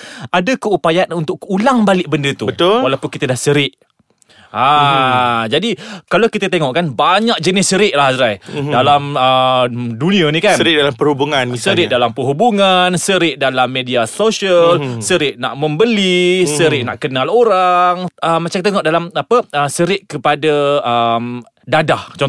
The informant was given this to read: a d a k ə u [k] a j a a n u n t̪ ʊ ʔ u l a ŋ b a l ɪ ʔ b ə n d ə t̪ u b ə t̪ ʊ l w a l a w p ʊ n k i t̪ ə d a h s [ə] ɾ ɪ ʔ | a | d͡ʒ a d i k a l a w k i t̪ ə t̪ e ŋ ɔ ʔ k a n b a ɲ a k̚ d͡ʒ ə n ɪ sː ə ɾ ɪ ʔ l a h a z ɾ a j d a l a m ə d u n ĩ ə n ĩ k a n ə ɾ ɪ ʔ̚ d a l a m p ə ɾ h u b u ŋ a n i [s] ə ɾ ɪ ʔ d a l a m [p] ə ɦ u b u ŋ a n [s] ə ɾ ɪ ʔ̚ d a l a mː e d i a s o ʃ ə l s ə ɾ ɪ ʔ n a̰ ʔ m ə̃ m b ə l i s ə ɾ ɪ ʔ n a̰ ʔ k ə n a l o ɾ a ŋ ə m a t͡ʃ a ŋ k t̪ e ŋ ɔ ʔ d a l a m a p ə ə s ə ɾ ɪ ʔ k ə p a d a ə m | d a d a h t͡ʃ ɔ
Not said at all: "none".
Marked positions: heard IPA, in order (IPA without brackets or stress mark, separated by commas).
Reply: p, ə, s, p, s